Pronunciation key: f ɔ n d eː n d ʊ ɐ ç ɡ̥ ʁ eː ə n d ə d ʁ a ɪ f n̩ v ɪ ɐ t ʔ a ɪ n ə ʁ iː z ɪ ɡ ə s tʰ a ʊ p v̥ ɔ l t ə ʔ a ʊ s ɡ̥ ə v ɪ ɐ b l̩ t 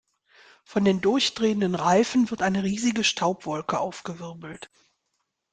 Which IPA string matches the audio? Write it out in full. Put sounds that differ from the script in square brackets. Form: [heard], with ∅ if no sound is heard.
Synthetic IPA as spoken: f ɔ n d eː n d ʊ ɐ ç [d̥] ʁ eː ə n d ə [n] ʁ a ɪ f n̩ v ɪ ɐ t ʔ a ɪ n ə ʁ iː z ɪ ɡ ə [ʃ] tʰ a ʊ p v̥ ɔ l [k] ə ʔ a ʊ [f] ɡ̥ ə v ɪ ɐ b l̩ t